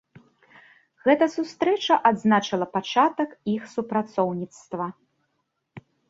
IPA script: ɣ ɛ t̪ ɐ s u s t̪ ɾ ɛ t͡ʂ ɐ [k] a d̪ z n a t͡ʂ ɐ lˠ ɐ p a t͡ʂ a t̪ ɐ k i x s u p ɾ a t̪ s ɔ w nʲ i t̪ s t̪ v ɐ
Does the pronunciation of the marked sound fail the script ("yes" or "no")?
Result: yes